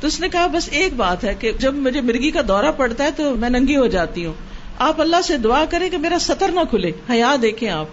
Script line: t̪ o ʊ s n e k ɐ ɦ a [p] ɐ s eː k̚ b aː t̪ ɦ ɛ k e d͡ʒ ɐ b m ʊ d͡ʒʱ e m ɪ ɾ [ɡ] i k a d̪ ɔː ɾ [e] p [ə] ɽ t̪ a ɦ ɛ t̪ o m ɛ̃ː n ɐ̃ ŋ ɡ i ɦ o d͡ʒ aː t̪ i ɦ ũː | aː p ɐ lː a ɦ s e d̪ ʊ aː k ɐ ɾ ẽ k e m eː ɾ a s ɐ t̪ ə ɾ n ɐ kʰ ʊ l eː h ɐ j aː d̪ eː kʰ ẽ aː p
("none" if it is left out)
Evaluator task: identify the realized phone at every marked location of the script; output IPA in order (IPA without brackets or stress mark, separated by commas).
b, ɡ, a, ɐ